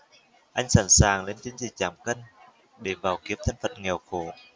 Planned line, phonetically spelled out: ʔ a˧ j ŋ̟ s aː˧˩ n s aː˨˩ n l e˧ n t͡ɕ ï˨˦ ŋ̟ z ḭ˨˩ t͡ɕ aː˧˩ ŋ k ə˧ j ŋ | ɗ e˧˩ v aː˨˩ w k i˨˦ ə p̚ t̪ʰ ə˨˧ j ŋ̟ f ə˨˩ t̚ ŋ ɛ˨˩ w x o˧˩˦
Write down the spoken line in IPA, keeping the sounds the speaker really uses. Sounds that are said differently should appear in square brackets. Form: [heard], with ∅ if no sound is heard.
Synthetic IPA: ʔ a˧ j ŋ̟ s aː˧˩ n s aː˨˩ [ŋ] l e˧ n t͡ɕ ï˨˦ ŋ̟ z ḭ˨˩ t͡ɕ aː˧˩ [m] k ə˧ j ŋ | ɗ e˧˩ v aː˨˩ w k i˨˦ ə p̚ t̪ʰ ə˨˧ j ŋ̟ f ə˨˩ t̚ ŋ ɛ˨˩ w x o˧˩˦